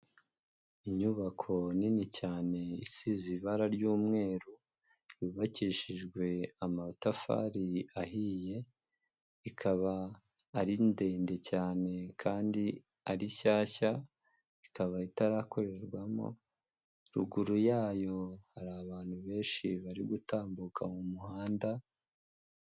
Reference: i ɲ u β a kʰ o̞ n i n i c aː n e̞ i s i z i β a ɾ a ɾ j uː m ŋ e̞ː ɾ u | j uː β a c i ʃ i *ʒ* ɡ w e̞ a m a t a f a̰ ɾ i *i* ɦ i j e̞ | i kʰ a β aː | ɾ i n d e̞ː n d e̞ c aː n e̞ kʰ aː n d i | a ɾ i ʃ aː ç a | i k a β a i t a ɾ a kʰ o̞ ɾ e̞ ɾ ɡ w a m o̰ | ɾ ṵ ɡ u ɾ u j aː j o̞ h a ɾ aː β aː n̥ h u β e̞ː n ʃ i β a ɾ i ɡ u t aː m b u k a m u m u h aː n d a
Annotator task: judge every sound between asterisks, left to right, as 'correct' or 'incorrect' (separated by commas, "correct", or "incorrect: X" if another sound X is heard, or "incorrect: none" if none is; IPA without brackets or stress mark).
correct, incorrect: a